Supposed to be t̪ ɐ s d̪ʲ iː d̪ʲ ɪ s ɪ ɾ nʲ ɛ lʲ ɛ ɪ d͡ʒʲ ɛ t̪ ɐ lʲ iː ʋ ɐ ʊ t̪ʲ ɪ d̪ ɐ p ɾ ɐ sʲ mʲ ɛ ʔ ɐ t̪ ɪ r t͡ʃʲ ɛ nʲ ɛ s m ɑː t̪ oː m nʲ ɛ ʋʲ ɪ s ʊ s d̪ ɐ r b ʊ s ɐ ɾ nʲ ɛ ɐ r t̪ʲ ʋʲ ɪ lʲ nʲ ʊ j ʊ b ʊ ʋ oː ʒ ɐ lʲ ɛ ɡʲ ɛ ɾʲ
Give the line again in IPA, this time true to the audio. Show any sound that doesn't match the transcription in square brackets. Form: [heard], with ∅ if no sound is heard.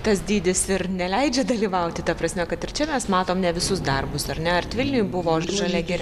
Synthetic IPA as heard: t̪ ɐ s d̪ʲ iː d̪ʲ ɪ s ɪ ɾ nʲ ɛ lʲ ɛ ɪ d͡ʒʲ ɛ [d̪] ɐ lʲ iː ʋ ɐ ʊ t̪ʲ ɪ [t̪] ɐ p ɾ ɐ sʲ mʲ ɛ [k] ɐ t̪ ɪ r t͡ʃʲ ɛ [mʲ] ɛ s m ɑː t̪ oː m nʲ ɛ ʋʲ ɪ s ʊ s d̪ ɐ r b ʊ s ɐ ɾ nʲ ɛ ɐ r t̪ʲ ʋʲ ɪ lʲ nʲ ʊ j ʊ b ʊ ʋ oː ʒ ɐ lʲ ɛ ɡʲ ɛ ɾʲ